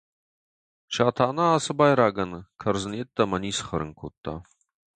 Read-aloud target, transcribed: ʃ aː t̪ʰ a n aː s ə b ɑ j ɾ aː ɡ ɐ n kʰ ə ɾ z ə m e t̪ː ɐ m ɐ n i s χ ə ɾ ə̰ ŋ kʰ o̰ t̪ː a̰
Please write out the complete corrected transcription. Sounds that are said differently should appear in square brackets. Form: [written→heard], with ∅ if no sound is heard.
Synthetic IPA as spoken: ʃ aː t̪ʰ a n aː s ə b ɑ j ɾ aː ɡ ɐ n kʰ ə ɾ z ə [m→n] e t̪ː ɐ m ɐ n i s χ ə ɾ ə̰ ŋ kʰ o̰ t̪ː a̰